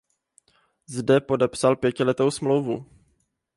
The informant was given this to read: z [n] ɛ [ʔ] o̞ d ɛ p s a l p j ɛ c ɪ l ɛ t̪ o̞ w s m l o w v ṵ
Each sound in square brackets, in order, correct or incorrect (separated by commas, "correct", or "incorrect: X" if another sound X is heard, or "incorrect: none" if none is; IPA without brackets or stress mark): incorrect: d, incorrect: p